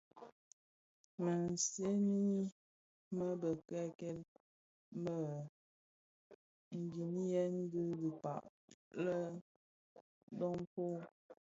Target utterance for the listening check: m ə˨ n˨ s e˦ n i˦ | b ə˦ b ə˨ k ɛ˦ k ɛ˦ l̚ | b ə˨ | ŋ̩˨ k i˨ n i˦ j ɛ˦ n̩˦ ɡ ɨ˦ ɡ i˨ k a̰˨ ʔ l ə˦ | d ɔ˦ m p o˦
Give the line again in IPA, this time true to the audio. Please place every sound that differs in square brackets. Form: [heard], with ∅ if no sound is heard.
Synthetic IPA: m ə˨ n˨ s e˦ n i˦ | [m] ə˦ b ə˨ k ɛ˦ k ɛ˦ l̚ | [m] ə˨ | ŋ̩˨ [ɡ] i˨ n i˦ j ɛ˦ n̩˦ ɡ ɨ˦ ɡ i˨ [p] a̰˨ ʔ l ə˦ | d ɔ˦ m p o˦